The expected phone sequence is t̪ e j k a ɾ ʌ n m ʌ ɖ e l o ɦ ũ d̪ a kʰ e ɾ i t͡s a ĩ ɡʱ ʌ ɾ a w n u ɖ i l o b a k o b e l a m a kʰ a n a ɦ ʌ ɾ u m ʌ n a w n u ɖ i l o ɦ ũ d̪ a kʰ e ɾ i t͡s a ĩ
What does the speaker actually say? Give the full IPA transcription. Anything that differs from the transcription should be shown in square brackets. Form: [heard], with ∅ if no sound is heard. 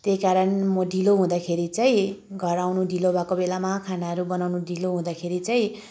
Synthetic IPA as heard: t̪ e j k a ɾ ʌ n m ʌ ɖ [i] l o ɦ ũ d̪ a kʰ e ɾ i t͡s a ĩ ɡʱ ʌ ɾ a w n u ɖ i l o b a k o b e l a m a kʰ a n a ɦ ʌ ɾ u [b] ʌ n a w n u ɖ i l o ɦ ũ d̪ a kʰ e ɾ i t͡s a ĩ